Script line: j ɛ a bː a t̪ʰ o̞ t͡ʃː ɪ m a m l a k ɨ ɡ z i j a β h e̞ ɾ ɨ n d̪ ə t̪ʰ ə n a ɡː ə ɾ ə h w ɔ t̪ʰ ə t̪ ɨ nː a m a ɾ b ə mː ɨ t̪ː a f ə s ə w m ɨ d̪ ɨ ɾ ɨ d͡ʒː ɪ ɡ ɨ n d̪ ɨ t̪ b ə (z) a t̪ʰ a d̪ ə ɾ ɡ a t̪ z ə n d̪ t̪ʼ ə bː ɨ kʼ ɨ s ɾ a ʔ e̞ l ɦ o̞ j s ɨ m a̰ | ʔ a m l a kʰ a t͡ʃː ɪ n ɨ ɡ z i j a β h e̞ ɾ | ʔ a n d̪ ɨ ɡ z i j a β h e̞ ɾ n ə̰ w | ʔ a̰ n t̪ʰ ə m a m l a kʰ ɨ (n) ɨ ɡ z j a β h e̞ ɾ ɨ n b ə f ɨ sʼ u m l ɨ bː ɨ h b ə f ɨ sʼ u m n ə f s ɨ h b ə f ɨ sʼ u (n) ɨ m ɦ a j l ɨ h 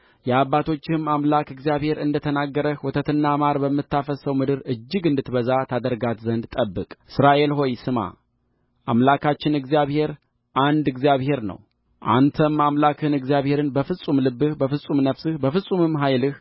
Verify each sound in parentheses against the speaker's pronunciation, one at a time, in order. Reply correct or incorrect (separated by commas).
correct, correct, incorrect